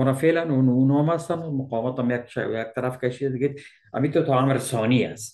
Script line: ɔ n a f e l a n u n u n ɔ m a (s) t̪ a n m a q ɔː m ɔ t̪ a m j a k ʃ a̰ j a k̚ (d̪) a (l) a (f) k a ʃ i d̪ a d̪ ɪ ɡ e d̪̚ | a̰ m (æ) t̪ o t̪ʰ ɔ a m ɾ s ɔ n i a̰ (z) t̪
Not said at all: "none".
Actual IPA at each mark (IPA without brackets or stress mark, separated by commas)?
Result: s, t̪, ɾ, f, i, s